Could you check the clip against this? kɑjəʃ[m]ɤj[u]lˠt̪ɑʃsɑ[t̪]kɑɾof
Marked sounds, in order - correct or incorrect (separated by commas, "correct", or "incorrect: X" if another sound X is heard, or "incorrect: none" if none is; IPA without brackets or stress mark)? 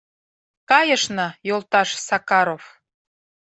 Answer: incorrect: n, incorrect: o, incorrect: none